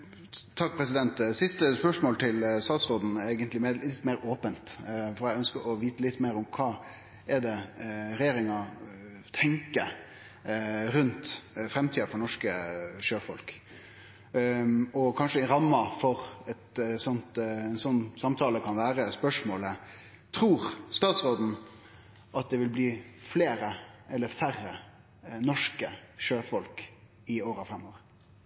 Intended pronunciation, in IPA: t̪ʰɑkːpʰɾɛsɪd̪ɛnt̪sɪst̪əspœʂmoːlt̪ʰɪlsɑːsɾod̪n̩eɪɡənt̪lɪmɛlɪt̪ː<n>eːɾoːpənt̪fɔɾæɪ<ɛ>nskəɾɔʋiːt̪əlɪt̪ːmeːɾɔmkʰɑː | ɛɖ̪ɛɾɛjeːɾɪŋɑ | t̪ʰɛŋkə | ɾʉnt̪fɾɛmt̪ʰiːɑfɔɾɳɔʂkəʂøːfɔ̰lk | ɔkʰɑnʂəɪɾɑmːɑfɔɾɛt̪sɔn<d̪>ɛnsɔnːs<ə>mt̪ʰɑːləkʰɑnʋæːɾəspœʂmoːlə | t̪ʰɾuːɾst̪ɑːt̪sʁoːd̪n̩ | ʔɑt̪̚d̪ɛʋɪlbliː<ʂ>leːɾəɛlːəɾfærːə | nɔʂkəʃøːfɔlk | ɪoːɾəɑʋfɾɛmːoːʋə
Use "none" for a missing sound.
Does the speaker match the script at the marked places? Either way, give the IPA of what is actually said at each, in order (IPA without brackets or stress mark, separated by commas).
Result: m, œ, t̪, ɑ, f